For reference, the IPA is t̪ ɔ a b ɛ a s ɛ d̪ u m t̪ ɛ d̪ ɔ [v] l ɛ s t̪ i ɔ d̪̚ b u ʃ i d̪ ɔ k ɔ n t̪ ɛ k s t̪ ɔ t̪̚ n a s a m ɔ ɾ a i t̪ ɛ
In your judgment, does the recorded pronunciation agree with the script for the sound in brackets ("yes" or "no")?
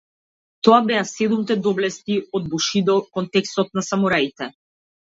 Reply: no